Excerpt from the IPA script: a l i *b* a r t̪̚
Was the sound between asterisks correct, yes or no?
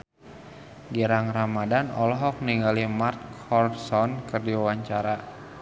no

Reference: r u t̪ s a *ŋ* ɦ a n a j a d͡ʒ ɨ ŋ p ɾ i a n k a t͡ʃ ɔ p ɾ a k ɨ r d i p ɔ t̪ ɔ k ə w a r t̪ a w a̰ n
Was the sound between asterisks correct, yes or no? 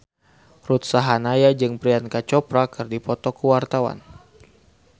no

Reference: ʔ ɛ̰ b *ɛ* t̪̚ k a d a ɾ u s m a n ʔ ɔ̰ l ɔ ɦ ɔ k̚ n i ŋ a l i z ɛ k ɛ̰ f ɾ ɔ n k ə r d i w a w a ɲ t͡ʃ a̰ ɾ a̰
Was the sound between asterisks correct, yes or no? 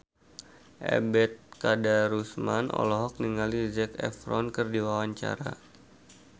yes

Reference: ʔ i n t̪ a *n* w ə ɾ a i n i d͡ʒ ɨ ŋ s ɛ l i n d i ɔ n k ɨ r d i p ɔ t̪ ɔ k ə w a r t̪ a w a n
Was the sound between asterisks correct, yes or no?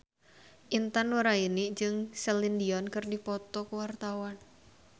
yes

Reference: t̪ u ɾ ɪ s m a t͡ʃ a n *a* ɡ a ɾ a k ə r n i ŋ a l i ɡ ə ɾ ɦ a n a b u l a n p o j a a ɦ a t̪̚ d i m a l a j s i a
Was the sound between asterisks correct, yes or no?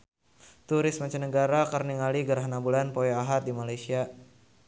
no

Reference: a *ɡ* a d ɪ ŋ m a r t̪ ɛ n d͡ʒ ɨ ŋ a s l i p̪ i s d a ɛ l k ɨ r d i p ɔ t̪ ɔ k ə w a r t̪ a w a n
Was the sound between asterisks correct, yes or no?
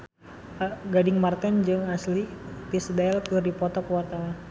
yes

